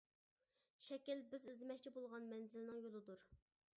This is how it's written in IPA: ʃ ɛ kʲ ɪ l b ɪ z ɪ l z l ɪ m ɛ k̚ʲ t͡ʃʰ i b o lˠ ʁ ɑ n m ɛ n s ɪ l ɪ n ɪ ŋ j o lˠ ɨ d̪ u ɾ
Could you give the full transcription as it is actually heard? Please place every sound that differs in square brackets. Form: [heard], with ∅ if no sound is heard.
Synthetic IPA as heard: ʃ ɛ kʲ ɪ l b ɪ z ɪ [∅] z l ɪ m ɛ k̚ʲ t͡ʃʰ i b o lˠ ʁ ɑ n m ɛ n [z] ɪ l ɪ n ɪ ŋ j o lˠ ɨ d̪ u ɾ